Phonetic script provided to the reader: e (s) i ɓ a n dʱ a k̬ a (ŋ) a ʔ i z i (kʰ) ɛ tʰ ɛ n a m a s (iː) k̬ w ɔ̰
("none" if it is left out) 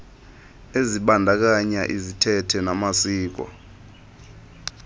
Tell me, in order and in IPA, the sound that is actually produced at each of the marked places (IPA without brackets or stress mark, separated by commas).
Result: z, ɲ, tʰ, iː